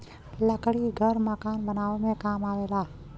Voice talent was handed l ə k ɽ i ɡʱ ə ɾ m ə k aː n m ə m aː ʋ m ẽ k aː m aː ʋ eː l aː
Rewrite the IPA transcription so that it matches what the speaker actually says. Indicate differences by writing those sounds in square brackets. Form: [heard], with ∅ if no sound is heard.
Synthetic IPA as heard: l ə k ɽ i ɡʱ ə ɾ m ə k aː n [b] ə [n] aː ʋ m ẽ k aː m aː ʋ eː l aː